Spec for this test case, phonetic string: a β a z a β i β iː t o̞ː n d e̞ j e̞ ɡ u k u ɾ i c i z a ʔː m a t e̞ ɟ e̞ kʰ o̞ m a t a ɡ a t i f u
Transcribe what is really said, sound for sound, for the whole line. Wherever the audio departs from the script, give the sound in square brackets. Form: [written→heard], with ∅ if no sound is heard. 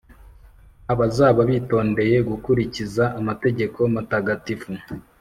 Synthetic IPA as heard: a β a z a β [i→a] β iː t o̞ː n d e̞ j e̞ ɡ u k u ɾ i c i z a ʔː m a t e̞ ɟ e̞ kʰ o̞ m a t a ɡ a t i f u

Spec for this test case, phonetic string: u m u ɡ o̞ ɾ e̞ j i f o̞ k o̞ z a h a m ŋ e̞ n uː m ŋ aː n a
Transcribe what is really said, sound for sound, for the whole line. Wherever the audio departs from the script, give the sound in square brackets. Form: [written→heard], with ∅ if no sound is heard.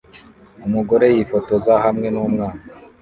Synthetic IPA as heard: u m u ɡ o̞ ɾ e̞ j i f o̞ [k→t] o̞ z a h a m ŋ e̞ n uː m ŋ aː n a

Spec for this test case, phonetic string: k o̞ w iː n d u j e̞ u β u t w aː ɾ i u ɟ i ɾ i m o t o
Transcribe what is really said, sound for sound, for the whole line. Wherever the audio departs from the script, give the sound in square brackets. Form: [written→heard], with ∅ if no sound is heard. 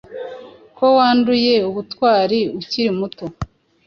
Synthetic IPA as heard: k o̞ w [iː→aː] n d u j e̞ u β u t w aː ɾ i u [ɟ→c] i ɾ i m [o→u] t o

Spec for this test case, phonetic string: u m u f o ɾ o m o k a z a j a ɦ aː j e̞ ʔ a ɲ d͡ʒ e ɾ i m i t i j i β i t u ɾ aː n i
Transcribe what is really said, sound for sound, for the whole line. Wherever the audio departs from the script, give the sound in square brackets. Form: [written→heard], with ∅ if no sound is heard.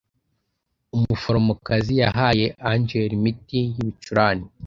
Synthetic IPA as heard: u m u f o ɾ o m o k a z [a→i] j a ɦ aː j e̞ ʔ a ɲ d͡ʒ e ɾ i m i t i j i β i [t→t͡ʃ] u ɾ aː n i

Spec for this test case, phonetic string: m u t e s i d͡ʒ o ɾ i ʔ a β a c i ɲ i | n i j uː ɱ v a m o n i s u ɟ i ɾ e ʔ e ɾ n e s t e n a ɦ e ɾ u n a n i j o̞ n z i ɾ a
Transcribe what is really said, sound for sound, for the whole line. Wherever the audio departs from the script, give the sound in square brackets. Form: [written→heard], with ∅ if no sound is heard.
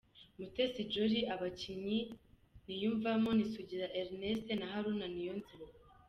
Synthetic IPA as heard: m u t e s i d͡ʒ o ɾ i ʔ a β a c i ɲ i | n i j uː ɱ v a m o n i s u ɟ i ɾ [e→a] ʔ e ɾ n e s t e n a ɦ [e→a] ɾ u n a n i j o̞ n z i ɾ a

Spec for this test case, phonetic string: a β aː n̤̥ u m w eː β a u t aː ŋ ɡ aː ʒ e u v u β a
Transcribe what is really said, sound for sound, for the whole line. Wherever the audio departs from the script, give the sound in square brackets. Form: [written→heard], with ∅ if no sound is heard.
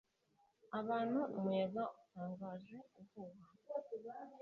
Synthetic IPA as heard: a β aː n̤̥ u m w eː β a u t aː ŋ ɡ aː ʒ e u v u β a

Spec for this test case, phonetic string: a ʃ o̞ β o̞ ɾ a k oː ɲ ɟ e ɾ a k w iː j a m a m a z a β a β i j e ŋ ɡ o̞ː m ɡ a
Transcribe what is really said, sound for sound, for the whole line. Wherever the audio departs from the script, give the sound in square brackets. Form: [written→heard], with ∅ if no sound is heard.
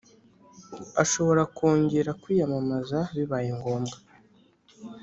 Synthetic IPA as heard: a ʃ o̞ β o̞ ɾ a k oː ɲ ɟ e ɾ a k w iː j a m a m a z a β [a→i] β [i→a] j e ŋ ɡ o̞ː m ɡ a

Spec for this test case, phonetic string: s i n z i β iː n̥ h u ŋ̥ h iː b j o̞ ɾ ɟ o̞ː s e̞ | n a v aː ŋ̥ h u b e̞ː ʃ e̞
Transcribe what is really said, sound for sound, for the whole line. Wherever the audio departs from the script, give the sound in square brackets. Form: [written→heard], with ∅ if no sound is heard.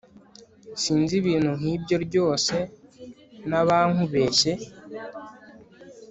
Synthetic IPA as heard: s [i→iː] n z i β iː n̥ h u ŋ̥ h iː b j o̞ ɾ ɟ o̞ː s e̞ | n a [v→β] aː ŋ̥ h u [b→β] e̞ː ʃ e̞

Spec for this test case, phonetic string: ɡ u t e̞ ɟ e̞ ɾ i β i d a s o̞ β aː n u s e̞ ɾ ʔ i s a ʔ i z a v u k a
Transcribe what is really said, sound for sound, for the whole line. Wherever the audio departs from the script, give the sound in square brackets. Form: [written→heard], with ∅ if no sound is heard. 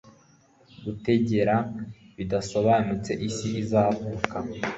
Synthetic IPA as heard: ɡ u t e̞ ɟ e̞ ɾ [i→a] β i d a s o̞ β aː n u [s→t͡s] e̞ [ɾ→∅] ʔ i s [a→i] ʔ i z a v u k a

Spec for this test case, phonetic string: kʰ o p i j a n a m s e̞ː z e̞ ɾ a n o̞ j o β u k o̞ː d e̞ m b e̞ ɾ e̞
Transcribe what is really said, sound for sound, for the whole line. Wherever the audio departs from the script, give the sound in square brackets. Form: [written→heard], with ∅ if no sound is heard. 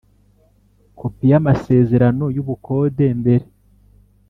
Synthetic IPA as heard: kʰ o p i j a [n→m] a [m→∅] s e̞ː z e̞ ɾ a n o̞ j [o→u] β u k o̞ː d e̞ m b e̞ ɾ e̞

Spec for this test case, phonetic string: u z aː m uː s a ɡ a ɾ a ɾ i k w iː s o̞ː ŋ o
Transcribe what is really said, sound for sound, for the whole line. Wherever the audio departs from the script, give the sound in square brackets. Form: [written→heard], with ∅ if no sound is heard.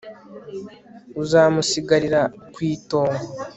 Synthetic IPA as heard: u z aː m [uː→u] s [a→i] ɡ a ɾ [a→i] ɾ [i→a] k w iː [s→t] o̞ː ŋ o

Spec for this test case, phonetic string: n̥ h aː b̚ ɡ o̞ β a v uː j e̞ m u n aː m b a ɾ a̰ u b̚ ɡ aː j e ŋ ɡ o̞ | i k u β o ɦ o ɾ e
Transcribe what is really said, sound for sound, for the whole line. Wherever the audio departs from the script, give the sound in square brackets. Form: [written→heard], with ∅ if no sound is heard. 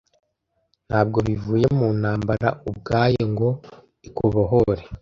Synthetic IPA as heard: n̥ h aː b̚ ɡ o̞ β [a→i] v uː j e̞ m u n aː m b a ɾ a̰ u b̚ ɡ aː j e ŋ ɡ o̞ | i k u β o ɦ o ɾ e

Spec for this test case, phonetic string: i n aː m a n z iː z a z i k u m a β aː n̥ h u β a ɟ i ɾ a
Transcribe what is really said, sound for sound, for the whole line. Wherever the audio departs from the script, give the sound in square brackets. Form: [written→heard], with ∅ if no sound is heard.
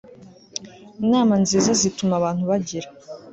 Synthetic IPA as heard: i n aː m a n z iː z a z i [k→t] u m a β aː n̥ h u β a ɟ i ɾ a

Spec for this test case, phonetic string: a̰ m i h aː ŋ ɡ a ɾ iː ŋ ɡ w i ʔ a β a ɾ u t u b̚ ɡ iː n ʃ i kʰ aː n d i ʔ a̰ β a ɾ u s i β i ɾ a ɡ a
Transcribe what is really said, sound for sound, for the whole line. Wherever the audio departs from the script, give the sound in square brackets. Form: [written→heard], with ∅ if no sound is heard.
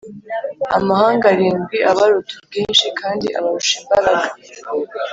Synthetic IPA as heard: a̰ m [i→a] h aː ŋ ɡ a ɾ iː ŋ ɡ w i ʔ a β a ɾ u t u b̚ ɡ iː n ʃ i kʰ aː n d i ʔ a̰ β a ɾ u [s→ʃ] i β [i→a] ɾ a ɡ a

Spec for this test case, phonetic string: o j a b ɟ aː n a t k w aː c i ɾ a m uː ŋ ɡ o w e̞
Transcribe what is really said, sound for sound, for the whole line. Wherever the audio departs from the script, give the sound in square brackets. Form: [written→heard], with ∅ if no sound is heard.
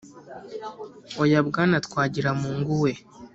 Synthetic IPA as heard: o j a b [ɟ→ɡ] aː n a t k w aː [c→ɟ] i ɾ a m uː ŋ ɡ [o→u] w e̞

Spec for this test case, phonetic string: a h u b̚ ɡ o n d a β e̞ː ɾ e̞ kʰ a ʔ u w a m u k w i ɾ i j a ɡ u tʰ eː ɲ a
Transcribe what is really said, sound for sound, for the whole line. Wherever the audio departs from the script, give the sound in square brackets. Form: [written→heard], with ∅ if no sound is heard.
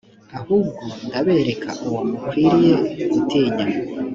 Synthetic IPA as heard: a h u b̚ ɡ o n d a β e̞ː ɾ e̞ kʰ a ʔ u w a m u k w i ɾ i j [a→e] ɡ u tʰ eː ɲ a

